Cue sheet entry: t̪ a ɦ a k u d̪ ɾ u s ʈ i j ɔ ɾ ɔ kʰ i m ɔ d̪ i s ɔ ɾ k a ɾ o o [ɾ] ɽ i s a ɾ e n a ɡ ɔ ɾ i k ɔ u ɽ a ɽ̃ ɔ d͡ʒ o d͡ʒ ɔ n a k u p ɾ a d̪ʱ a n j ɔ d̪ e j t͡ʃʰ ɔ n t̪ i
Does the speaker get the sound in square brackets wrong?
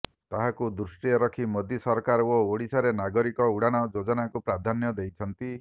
yes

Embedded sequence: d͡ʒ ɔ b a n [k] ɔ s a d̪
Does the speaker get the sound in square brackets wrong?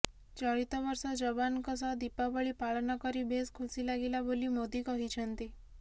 no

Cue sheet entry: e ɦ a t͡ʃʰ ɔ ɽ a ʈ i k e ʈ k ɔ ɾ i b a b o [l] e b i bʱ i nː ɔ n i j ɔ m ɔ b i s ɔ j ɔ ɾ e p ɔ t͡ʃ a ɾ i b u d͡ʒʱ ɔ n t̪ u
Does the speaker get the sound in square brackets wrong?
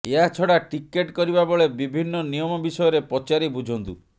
yes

